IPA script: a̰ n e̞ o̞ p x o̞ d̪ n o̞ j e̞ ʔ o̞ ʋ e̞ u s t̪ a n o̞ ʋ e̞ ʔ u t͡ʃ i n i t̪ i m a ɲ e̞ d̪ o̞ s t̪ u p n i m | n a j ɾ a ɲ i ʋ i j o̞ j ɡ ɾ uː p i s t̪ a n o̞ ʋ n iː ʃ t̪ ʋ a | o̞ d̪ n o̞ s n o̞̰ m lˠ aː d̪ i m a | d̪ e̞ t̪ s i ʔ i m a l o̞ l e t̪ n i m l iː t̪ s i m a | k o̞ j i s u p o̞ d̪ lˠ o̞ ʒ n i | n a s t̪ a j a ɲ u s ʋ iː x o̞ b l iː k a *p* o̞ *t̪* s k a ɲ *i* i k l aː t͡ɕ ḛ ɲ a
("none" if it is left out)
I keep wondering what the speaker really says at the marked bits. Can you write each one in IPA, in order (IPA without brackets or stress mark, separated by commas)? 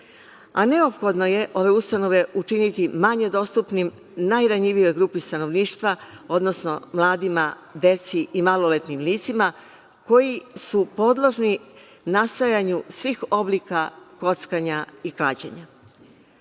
k, t̪, a